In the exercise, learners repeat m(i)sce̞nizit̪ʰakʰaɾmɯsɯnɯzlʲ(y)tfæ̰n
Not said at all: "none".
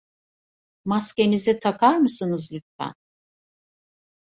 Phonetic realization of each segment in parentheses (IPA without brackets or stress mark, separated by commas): a, y